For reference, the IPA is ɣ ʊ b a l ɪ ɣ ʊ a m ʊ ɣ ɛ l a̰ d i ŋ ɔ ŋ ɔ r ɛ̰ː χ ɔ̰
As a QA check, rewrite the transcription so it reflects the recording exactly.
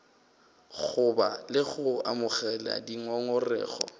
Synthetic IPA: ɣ ʊ b a l ɪ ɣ ʊ a m ʊ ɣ ɛ l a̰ d i ŋ ɔ ŋ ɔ r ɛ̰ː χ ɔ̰